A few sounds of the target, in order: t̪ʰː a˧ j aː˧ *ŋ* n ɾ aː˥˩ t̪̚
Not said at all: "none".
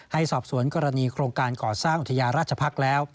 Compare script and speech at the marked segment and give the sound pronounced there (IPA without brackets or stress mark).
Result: none